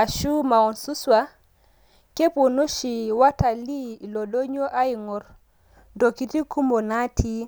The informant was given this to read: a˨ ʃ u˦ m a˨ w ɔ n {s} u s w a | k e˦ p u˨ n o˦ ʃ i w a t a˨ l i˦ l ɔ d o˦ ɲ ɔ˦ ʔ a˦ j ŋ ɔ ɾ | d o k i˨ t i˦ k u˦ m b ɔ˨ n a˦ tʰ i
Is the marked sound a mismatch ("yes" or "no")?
no